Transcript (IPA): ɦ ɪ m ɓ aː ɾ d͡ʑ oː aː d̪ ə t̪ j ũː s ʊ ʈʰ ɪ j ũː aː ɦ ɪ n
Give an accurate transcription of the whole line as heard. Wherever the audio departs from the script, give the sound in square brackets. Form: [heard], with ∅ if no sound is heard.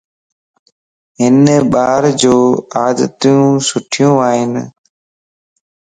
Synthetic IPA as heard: ɦ ɪ [n] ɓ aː ɾ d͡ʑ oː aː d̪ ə t̪ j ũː s ʊ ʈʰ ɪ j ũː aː ɦ ɪ n